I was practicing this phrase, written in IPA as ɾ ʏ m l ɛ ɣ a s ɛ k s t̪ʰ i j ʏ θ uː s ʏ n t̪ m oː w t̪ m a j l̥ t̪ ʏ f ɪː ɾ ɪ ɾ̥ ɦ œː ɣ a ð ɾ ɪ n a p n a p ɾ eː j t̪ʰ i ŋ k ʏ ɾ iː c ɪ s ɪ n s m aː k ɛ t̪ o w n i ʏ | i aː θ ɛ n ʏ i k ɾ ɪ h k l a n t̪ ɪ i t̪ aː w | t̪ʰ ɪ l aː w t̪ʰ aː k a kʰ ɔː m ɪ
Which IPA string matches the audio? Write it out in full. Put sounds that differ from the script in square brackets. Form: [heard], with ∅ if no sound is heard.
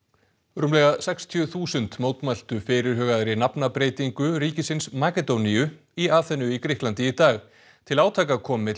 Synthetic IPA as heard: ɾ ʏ m l ɛ ɣ a s ɛ k s t̪ʰ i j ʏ θ uː s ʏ n t̪ m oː w t̪ m a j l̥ t̪ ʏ f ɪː ɾ ɪ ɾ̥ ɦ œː ɣ a ð ɾ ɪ n a p n a p ɾ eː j [t̪] i ŋ k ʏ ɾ iː c ɪ s ɪ n s m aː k ɛ t̪ o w n i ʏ | i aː θ ɛ n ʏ i k ɾ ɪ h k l a n t̪ ɪ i t̪ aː [ɣ] | t̪ʰ ɪ l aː w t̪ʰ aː k a kʰ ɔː m ɪ